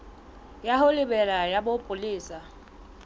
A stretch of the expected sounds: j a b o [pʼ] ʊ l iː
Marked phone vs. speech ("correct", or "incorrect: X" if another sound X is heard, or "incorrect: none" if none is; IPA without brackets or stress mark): correct